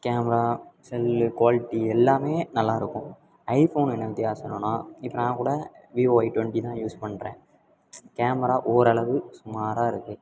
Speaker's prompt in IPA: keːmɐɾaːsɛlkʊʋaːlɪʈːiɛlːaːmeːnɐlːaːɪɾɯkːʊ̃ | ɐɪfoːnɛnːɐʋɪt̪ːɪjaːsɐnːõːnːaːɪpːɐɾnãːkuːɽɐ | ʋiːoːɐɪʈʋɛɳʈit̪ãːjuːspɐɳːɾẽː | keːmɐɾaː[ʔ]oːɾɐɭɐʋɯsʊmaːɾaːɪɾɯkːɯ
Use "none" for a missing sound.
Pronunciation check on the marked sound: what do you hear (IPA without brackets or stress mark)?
ʔ